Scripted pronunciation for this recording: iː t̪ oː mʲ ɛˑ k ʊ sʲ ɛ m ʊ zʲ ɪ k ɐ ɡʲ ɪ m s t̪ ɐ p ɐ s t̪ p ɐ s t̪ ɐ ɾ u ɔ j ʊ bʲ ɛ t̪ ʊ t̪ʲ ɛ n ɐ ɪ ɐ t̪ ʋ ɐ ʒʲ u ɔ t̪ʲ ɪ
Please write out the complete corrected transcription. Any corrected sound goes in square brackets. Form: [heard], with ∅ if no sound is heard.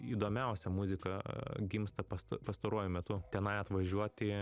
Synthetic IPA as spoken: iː [d̪] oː mʲ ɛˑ [∅] ʊ sʲ ɛ m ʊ zʲ ɪ k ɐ ɡʲ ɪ m s t̪ ɐ p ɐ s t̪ p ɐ s t̪ ɐ ɾ u ɔ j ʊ [mʲ] ɛ t̪ ʊ t̪ʲ ɛ n ɐ ɪ ɐ t̪ ʋ ɐ ʒʲ u ɔ t̪ʲ ɪ